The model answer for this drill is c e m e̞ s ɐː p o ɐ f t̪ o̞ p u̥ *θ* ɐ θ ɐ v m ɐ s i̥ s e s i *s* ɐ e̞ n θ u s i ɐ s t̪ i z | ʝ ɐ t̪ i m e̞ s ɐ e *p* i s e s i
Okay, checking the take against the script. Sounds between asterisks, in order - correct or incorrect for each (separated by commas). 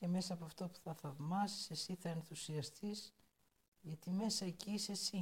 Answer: correct, incorrect, incorrect